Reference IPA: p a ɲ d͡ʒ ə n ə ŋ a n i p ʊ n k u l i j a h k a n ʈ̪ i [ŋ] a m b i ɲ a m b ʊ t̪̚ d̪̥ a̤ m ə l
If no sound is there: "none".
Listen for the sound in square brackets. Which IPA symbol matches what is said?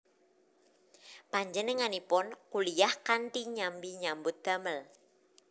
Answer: ɲ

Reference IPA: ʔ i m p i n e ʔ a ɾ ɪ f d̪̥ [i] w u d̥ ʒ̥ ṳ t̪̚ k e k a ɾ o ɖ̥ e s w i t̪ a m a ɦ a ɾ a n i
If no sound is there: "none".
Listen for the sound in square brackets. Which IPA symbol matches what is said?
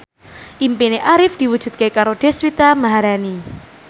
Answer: i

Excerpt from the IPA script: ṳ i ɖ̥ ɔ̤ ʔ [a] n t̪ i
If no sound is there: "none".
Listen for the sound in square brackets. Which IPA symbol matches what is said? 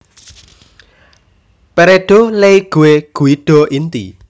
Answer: i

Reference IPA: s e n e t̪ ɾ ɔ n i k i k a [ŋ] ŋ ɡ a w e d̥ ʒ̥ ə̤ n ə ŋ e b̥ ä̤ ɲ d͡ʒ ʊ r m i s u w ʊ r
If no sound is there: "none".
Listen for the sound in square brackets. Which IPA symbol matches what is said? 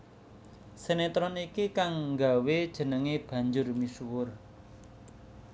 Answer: ŋ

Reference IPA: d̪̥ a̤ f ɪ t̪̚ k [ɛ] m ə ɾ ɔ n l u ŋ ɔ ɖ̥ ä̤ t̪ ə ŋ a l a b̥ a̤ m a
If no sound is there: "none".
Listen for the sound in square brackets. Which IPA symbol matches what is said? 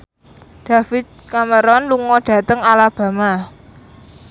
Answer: a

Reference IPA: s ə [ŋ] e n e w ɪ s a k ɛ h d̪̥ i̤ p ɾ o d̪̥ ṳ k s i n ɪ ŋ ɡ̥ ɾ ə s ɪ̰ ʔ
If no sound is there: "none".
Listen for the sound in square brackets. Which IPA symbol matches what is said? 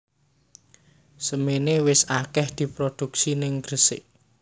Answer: m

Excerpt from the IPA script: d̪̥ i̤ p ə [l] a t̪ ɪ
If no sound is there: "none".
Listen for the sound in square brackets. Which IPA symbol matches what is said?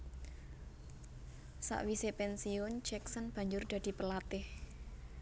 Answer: l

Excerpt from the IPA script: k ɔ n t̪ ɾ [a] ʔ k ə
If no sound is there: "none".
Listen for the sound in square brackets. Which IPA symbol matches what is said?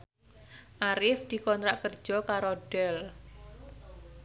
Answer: a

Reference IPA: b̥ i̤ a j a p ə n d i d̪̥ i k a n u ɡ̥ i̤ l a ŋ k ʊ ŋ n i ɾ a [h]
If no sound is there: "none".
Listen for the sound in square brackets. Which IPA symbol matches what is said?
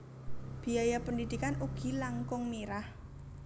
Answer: h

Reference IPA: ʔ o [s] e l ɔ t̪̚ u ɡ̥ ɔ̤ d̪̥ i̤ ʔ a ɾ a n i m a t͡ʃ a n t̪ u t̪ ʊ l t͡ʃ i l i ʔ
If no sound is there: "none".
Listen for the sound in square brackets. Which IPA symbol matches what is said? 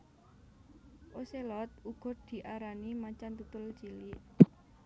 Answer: s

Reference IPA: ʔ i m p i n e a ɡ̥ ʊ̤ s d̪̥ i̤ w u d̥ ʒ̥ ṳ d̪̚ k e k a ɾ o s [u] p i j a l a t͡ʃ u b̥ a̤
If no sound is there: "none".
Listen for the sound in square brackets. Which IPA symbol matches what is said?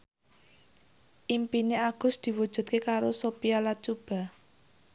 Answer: o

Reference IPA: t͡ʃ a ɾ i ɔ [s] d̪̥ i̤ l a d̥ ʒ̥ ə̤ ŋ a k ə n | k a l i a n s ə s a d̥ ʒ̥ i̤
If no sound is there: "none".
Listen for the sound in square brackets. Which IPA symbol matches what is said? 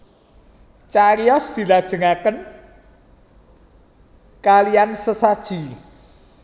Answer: s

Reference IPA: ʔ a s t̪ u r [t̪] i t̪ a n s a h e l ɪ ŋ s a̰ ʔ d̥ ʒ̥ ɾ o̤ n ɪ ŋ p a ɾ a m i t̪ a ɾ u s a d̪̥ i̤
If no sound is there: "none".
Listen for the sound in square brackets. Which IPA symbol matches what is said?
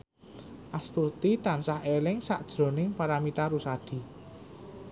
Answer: t̪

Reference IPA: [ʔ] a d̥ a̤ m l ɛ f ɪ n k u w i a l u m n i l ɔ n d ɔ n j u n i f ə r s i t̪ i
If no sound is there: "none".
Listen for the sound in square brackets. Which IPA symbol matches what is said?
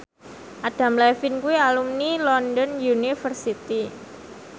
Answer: ʔ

